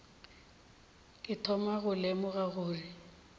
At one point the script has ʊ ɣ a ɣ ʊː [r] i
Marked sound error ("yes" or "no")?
no